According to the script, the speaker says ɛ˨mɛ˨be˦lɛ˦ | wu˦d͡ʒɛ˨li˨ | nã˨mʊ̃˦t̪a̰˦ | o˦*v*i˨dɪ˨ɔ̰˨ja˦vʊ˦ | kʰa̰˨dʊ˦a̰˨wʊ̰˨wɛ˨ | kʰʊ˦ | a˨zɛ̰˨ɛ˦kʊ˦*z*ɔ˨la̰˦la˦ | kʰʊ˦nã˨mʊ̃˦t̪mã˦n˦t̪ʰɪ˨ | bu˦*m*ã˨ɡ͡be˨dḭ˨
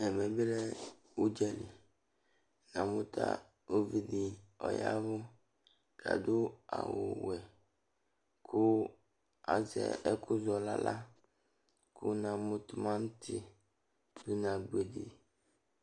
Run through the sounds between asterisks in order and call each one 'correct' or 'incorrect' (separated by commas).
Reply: correct, correct, incorrect